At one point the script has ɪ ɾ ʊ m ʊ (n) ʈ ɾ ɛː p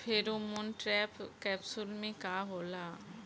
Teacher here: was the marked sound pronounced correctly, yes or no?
yes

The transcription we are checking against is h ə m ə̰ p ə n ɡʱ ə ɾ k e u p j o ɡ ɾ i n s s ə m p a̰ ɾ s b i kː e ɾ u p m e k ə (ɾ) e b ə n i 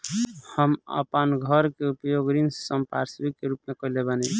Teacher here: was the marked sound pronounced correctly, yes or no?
no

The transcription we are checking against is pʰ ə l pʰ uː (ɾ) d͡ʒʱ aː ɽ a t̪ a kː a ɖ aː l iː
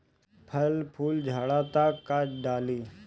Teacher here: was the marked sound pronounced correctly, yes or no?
no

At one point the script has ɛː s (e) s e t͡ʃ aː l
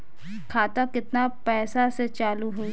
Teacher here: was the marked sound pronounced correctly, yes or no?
no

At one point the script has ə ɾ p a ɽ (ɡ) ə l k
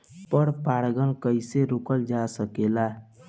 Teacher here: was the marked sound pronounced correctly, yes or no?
yes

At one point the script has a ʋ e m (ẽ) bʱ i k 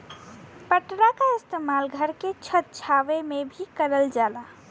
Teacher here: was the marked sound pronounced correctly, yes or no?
no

